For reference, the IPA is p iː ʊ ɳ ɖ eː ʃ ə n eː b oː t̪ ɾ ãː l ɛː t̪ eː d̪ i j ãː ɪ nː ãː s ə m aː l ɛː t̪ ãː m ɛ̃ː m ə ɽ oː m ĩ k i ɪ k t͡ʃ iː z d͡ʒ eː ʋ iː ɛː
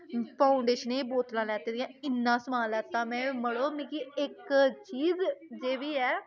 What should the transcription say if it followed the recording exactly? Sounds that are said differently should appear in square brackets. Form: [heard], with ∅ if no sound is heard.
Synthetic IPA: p [aː] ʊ ɳ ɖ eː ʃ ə n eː b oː t̪ [l] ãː l ɛː t̪ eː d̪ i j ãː ɪ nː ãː s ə m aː l ɛː t̪ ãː m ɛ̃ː m ə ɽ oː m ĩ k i ɪ k t͡ʃ iː z d͡ʒ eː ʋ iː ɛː